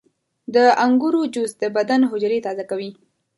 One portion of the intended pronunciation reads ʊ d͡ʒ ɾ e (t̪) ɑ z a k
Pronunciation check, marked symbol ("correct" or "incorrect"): correct